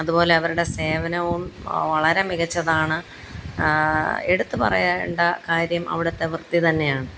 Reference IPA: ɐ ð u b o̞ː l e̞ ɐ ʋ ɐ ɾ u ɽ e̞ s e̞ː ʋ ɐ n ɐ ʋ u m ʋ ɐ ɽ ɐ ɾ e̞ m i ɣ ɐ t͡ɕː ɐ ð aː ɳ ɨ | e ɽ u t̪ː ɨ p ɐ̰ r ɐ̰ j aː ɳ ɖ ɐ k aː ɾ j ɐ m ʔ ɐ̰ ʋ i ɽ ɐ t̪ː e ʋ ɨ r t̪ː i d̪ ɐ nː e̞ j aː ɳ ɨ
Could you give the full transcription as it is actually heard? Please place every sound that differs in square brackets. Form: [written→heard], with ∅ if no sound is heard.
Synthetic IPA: ɐ ð u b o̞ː l e̞ ɐ ʋ ɐ ɾ u ɽ e̞ s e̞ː ʋ ɐ n ɐ ʋ u m ʋ ɐ [ɽ→ɭ] ɐ ɾ e̞ m i ɣ ɐ t͡ɕː ɐ ð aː ɳ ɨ | e ɽ u t̪ː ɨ p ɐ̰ r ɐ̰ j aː ɳ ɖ ɐ k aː ɾ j ɐ m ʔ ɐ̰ ʋ i ɽ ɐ t̪ː e ʋ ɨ r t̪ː i [d̪→t̪] ɐ nː e̞ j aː ɳ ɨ